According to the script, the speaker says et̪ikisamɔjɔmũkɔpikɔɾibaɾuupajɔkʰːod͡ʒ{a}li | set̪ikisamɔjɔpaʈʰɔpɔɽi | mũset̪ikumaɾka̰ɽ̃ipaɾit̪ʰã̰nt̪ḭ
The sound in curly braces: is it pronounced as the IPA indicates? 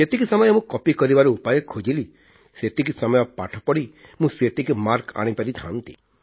no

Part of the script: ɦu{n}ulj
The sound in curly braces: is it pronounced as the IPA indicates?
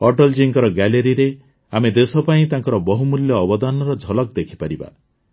no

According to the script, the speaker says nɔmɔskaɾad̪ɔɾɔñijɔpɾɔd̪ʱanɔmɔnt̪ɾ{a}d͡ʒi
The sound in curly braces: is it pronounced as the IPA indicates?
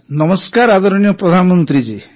no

